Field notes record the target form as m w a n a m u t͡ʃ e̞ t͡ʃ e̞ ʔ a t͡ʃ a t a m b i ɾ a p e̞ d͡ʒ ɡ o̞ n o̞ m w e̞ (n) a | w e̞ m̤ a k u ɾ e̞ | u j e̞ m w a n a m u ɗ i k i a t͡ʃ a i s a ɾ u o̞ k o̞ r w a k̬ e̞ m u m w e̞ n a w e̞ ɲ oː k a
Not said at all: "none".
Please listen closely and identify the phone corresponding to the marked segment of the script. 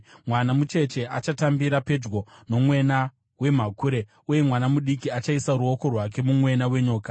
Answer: n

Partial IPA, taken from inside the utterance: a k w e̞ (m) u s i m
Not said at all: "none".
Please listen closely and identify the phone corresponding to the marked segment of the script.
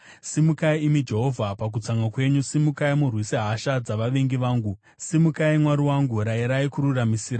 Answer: ɲ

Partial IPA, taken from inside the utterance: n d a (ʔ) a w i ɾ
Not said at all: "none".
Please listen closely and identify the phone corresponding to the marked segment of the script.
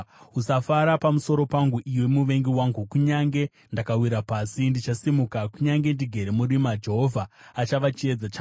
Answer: k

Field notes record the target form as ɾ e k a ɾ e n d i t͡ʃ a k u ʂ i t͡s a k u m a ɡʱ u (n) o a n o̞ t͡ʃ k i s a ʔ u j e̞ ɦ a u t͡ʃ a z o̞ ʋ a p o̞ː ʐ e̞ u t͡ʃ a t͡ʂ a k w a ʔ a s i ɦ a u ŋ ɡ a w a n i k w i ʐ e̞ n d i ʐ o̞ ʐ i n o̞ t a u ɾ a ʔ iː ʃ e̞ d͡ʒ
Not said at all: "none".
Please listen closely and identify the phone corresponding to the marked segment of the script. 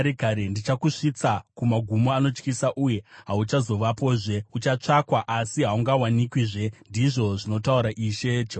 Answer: m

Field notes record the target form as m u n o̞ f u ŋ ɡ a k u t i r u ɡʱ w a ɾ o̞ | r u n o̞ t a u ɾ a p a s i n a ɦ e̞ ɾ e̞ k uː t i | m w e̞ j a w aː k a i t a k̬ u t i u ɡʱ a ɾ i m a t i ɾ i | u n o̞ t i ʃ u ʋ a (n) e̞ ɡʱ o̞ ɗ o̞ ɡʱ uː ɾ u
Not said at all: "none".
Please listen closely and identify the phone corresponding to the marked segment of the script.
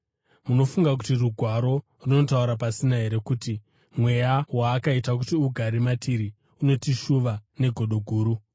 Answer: n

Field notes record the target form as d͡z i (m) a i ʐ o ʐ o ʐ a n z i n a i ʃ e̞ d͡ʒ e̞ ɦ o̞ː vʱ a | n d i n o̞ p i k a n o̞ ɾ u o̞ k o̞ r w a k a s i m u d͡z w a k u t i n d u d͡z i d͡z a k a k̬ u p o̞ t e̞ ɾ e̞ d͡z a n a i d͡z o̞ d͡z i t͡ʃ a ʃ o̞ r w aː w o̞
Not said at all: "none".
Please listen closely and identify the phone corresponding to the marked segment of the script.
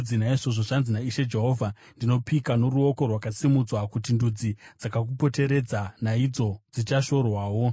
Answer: n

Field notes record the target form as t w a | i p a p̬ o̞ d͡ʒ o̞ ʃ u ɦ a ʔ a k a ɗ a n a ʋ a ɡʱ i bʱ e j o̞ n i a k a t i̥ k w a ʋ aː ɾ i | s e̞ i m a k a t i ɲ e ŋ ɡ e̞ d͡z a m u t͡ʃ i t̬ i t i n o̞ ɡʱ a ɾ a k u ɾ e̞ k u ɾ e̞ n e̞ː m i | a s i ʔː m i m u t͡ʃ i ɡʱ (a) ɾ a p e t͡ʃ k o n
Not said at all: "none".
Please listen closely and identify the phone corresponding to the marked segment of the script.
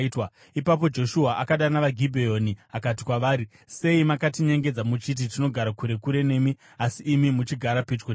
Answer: a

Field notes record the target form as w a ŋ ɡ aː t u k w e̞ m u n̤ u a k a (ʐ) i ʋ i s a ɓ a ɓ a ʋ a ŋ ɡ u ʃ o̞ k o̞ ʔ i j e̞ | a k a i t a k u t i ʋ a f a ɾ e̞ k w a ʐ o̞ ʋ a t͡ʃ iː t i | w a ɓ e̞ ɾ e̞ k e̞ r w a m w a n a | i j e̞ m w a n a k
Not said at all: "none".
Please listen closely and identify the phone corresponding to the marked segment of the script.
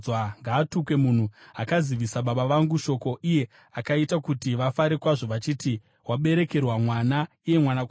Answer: z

